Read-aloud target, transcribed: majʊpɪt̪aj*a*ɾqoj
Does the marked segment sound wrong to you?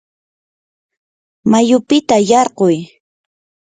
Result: yes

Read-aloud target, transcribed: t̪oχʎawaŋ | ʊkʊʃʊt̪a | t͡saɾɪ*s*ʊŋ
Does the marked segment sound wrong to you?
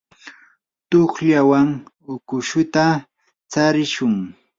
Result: yes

